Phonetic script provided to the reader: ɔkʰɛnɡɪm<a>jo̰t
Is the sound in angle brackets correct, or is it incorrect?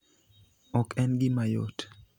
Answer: correct